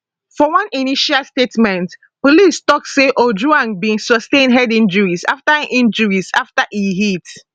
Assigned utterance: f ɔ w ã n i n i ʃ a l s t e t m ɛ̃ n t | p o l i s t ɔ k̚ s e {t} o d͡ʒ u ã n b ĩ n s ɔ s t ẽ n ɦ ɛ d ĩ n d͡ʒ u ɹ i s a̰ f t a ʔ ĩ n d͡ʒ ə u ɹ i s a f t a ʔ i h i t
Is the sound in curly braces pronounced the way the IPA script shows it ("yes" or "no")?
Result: no